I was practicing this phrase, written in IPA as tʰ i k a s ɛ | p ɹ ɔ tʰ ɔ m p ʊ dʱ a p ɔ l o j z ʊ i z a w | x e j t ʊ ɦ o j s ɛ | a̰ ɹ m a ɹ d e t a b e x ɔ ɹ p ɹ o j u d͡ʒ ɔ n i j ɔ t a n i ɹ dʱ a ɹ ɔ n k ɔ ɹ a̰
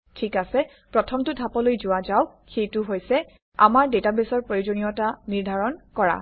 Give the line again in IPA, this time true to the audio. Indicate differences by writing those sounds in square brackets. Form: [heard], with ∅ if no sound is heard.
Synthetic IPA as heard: tʰ i k a s ɛ | p ɹ ɔ tʰ ɔ m [t] ʊ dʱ a p ɔ l o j z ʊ [a] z a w | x e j t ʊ ɦ o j s ɛ | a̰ [∅] m a ɹ d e t a b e [s] ɔ ɹ p ɹ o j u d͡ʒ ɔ n i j ɔ t a n i ɹ dʱ a ɹ ɔ n k ɔ ɹ a̰